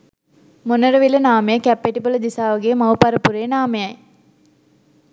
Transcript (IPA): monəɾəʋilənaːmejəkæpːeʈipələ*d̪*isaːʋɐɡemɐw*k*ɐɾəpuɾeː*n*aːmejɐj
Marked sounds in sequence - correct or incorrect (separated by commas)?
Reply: correct, incorrect, correct